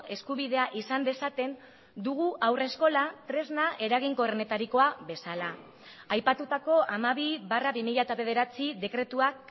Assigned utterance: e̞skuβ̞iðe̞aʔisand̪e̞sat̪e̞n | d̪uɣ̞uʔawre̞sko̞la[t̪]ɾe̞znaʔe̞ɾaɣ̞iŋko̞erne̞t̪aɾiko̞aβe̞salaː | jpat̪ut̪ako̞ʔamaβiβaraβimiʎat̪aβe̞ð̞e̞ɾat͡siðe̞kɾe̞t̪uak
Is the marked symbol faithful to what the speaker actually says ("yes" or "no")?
yes